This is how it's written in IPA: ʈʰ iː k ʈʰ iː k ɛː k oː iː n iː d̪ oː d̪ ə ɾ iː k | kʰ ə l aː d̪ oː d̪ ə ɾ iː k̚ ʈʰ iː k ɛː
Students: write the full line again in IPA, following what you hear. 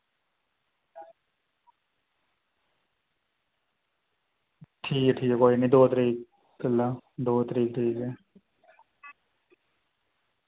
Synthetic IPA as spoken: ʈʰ iː k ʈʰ iː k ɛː k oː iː n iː d̪ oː t̪ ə ɾ iː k | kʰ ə l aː d̪ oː t̪ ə ɾ iː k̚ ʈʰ iː k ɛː